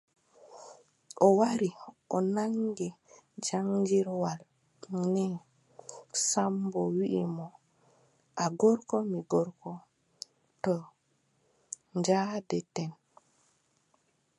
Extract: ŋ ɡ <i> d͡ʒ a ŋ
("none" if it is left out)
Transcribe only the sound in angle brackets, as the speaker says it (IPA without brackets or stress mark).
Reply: ɛ